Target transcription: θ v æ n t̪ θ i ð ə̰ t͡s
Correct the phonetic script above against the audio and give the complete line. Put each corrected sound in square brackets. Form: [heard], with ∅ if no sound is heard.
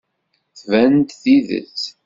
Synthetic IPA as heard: θ v æ n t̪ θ i ð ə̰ t͡s